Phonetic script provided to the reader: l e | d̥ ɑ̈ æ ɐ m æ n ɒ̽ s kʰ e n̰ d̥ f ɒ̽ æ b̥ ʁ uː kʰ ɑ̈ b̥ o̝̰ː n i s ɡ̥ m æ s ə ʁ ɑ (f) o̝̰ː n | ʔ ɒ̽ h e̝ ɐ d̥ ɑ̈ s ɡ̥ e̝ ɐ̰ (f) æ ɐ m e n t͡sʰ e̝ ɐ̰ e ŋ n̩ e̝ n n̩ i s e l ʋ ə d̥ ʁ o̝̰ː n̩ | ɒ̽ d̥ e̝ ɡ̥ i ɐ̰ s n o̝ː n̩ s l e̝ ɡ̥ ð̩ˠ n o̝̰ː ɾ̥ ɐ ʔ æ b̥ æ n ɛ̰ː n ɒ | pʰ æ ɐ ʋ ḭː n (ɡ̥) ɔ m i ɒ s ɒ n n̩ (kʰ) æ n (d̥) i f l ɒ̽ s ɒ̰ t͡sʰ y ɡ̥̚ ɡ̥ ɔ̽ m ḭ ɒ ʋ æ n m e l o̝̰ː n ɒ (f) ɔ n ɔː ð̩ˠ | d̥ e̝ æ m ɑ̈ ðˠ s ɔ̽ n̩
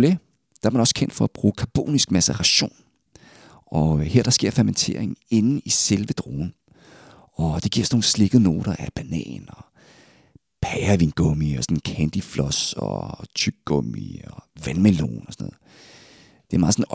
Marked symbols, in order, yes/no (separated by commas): no, yes, yes, yes, yes, no